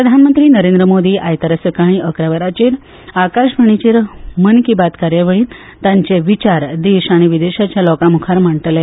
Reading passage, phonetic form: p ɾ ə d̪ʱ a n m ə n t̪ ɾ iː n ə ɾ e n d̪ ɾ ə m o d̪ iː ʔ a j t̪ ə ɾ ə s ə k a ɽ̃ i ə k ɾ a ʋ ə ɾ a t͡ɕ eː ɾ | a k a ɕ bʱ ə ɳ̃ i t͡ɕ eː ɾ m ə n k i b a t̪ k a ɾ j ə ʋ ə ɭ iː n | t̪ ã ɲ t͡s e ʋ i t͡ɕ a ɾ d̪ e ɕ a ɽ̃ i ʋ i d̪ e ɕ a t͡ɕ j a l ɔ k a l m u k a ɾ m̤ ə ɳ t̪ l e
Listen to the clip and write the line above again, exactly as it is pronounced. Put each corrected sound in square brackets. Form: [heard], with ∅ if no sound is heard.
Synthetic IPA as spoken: p ɾ ə d̪ʱ a n m ə n t̪ ɾ iː n ə ɾ e n d̪ ɾ ə m o d̪ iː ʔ a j t̪ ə ɾ ə s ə k a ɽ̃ i ə k ɾ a ʋ ə ɾ a t͡ɕ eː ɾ | a k a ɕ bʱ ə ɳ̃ i t͡ɕ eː ɾ m ə n k i b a t̪ k a ɾ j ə ʋ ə ɭ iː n | t̪ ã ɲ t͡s e ʋ i t͡ɕ a ɾ d̪ e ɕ a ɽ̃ i ʋ i d̪ e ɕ a t͡ɕ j a l ɔ k a [∅] m u [kʰ] a ɾ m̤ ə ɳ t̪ l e